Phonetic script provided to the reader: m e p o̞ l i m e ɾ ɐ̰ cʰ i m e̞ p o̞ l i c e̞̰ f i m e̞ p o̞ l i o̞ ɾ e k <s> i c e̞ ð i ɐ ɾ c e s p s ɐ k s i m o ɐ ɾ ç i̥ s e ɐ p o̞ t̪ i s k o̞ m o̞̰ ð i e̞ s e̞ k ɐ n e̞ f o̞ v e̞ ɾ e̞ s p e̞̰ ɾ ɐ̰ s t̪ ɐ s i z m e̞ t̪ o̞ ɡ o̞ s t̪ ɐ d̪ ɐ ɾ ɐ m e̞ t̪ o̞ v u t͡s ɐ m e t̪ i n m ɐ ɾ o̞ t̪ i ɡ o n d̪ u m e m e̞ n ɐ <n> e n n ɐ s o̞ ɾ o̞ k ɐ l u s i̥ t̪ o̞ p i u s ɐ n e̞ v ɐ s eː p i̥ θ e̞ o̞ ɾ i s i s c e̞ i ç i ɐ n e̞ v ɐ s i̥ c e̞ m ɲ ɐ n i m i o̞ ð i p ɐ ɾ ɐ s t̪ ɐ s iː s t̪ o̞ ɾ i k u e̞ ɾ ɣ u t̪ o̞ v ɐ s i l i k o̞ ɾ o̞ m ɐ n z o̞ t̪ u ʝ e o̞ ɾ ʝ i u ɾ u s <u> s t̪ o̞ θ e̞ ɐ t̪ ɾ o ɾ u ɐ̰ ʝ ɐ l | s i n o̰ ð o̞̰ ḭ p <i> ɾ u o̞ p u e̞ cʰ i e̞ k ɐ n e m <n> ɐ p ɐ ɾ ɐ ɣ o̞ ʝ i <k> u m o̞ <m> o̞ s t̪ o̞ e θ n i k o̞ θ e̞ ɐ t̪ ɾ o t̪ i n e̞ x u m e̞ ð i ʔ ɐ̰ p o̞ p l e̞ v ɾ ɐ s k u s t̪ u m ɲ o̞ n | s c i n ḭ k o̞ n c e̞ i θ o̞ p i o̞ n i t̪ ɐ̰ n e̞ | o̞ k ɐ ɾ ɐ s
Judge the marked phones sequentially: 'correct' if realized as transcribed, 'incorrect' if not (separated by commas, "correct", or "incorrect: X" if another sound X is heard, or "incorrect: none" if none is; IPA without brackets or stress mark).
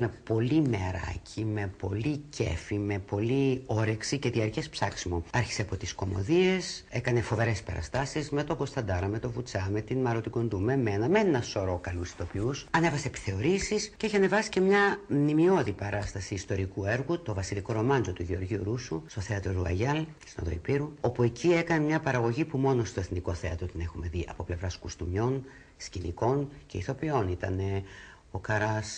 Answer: correct, incorrect: m, correct, correct, incorrect: ɲ, incorrect: p, incorrect: n